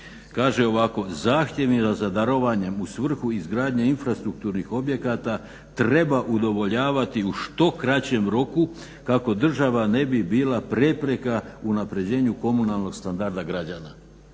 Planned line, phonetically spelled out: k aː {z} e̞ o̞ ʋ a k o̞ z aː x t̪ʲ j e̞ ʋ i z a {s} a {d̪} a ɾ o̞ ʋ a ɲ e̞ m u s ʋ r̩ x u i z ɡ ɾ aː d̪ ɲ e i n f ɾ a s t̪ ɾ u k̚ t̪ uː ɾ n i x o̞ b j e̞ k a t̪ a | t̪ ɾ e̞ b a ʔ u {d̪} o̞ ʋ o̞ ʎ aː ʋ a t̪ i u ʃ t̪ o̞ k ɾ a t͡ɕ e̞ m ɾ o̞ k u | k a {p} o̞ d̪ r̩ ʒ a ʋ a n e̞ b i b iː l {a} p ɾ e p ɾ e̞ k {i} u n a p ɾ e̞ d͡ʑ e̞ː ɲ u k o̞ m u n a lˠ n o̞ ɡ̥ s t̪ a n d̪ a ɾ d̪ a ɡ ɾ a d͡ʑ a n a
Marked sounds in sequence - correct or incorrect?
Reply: incorrect, incorrect, correct, correct, incorrect, correct, incorrect

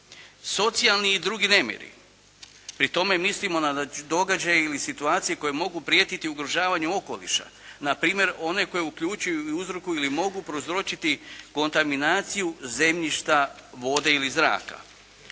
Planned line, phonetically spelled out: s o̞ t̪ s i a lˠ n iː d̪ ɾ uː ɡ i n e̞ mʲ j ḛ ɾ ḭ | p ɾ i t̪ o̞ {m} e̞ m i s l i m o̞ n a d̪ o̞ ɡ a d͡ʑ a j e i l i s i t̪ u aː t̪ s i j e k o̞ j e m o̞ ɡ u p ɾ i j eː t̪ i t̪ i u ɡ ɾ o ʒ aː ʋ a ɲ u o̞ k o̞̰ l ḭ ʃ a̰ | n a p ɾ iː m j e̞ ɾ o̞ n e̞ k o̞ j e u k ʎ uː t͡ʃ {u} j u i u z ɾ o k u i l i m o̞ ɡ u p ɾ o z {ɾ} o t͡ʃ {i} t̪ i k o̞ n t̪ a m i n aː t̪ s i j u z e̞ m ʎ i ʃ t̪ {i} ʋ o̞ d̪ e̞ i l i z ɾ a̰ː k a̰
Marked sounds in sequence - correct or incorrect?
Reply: correct, correct, correct, correct, incorrect

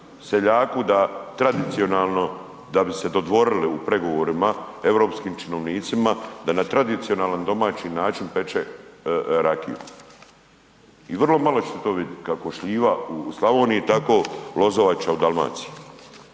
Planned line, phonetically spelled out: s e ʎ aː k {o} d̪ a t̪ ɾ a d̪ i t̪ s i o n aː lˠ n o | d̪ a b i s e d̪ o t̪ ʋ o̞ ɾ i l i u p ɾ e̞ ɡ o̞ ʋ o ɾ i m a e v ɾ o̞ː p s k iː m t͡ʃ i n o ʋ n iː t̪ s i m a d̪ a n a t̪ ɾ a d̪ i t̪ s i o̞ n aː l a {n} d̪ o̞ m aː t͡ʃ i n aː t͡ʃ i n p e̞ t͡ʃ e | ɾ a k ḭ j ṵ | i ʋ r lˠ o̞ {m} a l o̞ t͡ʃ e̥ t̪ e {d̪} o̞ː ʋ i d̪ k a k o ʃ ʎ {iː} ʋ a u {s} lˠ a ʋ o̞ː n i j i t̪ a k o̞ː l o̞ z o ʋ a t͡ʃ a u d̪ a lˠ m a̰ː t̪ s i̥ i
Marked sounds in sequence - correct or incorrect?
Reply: incorrect, correct, correct, incorrect, correct, correct

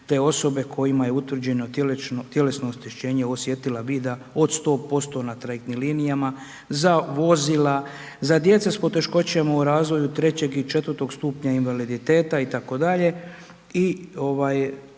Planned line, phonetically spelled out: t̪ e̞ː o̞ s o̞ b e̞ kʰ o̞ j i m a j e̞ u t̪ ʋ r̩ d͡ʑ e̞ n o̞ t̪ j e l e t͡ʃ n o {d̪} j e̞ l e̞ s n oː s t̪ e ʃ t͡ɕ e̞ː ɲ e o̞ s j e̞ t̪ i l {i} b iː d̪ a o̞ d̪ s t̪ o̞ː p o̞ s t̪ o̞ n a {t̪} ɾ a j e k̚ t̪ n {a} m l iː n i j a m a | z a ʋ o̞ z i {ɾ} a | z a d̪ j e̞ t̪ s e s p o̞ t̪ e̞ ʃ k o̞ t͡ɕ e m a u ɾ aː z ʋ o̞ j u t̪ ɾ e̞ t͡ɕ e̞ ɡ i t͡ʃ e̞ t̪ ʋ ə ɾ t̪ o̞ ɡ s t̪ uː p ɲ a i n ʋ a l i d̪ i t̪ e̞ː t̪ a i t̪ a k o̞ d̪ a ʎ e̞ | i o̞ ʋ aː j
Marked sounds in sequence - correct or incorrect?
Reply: incorrect, incorrect, correct, incorrect, incorrect

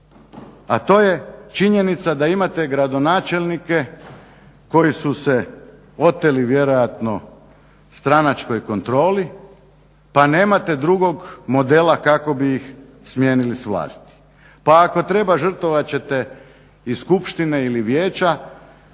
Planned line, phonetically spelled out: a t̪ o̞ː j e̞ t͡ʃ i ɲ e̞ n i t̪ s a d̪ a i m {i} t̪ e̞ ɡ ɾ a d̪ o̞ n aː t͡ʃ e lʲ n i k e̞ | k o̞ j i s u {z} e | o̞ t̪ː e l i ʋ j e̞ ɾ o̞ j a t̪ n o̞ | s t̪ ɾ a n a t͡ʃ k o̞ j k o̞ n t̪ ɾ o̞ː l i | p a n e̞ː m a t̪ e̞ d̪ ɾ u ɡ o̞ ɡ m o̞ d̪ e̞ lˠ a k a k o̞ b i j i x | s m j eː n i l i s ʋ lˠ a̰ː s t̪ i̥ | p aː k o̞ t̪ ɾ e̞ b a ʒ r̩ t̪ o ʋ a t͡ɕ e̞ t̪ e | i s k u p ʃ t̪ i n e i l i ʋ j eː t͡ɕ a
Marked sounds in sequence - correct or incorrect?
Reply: incorrect, incorrect

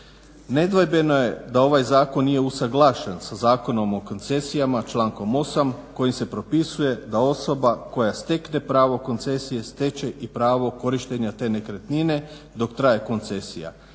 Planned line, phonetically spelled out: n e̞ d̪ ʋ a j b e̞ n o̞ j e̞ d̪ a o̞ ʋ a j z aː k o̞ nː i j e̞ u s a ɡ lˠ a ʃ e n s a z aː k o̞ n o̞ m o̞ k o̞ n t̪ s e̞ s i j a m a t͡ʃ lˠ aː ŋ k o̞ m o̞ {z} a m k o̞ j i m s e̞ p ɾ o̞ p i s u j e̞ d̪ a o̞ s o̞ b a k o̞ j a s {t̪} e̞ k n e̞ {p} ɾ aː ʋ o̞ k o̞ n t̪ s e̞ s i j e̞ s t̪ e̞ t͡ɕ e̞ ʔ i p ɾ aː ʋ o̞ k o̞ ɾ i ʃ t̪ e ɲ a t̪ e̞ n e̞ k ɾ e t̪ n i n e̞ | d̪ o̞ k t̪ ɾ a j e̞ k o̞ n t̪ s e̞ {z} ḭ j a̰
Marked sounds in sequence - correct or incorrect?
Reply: incorrect, correct, correct, incorrect

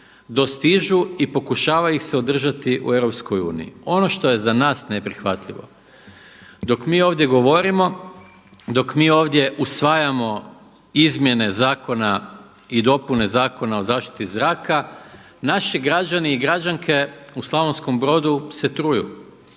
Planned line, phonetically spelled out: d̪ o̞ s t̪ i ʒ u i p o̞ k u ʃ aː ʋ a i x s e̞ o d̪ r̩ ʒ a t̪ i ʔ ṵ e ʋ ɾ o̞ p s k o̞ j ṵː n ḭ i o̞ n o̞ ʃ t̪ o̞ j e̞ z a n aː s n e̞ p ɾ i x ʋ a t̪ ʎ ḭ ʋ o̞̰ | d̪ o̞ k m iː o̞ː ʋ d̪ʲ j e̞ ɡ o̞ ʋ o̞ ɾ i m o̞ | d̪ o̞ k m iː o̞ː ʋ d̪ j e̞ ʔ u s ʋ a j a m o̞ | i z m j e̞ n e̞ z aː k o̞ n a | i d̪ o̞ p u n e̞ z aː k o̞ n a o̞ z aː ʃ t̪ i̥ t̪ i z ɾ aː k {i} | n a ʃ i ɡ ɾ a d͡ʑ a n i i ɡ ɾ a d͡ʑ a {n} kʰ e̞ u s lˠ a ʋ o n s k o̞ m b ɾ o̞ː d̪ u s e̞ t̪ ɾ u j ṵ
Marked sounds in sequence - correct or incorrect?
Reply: incorrect, incorrect

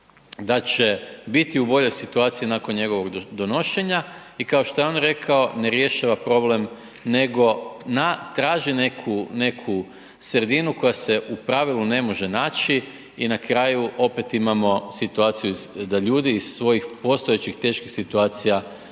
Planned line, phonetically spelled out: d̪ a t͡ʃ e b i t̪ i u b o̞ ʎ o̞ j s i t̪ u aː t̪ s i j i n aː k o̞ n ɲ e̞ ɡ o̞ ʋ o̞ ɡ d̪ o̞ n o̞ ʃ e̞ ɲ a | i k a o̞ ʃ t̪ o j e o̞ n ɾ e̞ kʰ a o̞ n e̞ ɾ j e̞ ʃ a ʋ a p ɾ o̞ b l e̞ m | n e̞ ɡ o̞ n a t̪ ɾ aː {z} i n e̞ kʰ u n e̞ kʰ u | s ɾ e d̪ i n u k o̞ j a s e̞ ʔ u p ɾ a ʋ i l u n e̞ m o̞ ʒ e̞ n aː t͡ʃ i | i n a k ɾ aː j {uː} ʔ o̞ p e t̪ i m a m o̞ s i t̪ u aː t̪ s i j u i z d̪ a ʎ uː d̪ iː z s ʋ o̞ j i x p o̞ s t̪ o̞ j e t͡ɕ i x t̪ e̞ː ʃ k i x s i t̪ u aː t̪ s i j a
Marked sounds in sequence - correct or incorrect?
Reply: incorrect, incorrect

